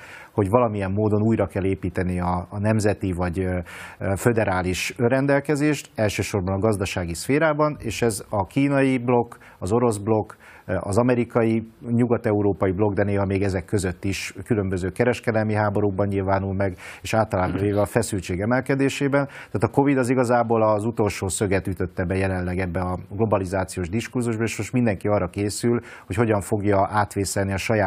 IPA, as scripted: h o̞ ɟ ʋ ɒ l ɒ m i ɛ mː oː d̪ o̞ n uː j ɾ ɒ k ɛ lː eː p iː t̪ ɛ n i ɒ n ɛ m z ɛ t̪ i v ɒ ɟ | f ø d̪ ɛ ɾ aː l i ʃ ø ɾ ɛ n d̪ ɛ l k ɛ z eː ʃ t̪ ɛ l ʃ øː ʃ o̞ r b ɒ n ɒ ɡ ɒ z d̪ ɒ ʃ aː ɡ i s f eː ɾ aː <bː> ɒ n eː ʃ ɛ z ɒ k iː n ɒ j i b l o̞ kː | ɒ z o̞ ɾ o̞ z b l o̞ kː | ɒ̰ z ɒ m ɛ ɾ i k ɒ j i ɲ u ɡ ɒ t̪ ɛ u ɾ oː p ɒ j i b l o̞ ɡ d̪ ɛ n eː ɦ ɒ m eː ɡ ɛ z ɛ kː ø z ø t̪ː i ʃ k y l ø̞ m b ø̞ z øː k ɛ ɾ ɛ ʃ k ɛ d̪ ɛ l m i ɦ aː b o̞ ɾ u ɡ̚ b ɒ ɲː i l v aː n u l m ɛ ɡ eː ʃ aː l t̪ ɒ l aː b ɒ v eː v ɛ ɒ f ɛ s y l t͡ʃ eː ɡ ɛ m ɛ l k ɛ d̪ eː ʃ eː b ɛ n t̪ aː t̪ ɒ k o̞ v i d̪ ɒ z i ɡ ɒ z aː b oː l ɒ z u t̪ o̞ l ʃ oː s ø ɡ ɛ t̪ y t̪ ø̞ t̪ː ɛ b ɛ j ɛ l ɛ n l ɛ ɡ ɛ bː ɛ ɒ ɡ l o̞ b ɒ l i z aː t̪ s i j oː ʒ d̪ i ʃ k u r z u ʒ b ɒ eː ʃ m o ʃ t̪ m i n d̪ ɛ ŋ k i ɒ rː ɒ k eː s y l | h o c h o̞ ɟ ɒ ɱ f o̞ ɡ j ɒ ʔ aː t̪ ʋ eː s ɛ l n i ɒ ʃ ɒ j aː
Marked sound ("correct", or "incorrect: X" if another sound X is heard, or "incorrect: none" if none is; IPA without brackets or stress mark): incorrect: b